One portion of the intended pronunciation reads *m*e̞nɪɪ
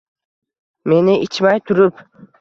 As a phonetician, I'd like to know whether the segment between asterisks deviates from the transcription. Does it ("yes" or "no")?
no